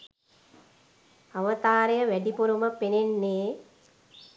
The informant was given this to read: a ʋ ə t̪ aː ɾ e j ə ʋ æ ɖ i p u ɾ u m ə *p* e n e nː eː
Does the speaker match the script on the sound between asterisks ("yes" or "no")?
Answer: yes